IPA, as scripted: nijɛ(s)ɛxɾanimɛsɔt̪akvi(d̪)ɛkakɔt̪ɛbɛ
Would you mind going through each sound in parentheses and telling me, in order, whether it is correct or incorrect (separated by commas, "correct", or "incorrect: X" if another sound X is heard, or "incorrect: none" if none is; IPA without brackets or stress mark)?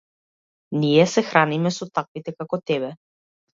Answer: correct, incorrect: t̪